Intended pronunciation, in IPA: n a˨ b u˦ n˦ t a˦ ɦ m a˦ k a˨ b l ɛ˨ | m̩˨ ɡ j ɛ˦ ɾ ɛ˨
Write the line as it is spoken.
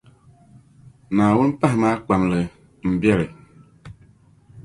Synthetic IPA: n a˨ w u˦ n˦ p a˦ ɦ m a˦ k͡p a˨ m l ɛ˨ | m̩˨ b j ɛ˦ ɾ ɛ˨